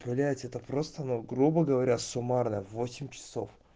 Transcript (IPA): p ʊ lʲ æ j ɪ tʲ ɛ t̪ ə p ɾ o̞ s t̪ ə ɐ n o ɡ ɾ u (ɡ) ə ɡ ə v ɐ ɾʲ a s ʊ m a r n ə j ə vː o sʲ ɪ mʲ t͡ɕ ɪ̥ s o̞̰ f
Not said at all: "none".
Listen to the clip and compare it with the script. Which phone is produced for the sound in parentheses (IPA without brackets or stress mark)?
b